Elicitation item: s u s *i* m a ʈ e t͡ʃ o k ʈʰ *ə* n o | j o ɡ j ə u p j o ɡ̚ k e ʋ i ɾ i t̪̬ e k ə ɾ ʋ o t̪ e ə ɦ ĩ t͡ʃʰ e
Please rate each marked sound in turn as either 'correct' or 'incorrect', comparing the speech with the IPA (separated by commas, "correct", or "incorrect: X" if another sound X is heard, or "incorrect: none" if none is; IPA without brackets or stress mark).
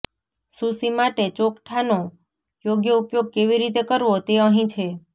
correct, incorrect: a